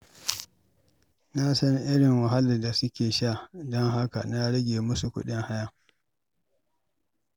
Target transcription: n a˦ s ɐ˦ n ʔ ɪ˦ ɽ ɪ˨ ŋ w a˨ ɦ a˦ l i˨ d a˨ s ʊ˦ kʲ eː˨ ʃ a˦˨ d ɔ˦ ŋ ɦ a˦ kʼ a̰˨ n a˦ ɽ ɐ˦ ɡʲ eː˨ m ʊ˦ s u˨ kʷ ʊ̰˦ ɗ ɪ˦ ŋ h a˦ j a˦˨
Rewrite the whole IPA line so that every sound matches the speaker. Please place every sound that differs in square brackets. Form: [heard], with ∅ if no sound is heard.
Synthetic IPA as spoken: n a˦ s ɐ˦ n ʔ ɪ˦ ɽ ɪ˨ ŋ w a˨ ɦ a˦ l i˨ d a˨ s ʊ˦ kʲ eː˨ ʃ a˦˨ d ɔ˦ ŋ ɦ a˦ [k] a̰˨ n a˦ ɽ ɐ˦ ɡʲ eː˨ m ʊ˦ s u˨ kʷ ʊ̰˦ ɗ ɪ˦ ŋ h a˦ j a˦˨